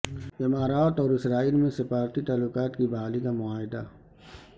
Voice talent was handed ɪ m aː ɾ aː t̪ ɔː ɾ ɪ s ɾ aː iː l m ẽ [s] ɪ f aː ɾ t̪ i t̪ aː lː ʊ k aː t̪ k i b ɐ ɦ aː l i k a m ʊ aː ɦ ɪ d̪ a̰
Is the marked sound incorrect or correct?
correct